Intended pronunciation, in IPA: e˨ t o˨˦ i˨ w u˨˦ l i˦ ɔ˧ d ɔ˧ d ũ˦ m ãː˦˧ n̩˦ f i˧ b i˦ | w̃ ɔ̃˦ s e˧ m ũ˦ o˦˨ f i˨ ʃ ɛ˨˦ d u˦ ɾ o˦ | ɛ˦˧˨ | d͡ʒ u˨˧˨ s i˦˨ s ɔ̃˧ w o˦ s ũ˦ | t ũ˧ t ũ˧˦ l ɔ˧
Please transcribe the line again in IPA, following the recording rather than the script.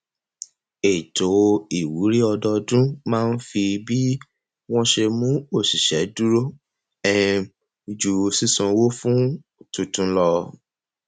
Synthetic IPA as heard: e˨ t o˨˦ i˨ w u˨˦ ɾ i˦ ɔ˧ d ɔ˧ d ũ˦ m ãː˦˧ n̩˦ f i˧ b i˦ | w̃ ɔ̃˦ ʃ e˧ m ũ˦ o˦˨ s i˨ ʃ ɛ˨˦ d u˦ ɾ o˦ | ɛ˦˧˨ | d͡ʒ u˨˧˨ s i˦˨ s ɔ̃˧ w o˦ f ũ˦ | t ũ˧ t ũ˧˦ l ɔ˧